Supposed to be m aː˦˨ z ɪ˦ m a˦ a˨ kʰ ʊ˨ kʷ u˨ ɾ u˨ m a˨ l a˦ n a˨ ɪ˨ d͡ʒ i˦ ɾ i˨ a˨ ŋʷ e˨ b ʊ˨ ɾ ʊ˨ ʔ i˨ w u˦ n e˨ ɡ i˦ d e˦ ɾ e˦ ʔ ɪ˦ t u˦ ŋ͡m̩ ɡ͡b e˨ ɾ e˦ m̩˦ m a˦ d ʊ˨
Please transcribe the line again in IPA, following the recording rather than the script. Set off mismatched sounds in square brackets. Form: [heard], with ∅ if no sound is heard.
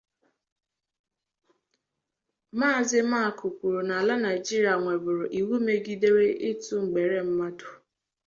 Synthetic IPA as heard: m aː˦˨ z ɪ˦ m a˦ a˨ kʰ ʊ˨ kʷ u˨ ɾ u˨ [n] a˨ l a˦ n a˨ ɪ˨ d͡ʒ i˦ ɾ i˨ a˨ ŋʷ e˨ b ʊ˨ ɾ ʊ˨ ʔ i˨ w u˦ [m] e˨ ɡ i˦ d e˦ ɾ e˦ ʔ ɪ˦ t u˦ ŋ͡m̩ ɡ͡b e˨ ɾ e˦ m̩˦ m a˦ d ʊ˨